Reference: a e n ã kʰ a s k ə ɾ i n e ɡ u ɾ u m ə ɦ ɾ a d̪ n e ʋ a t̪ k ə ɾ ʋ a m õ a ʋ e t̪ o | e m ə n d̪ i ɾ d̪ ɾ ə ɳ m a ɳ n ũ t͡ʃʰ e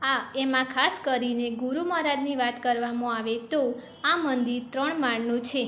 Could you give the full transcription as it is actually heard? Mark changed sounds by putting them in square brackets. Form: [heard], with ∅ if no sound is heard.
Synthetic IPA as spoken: a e [m] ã kʰ a s k ə ɾ i n e ɡ u ɾ u m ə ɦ ɾ a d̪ n [i] ʋ a t̪ k ə ɾ ʋ a m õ a ʋ e t̪ o | [a] m ə n d̪ i ɾ [t̪] ɾ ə ɳ m a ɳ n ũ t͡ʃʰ e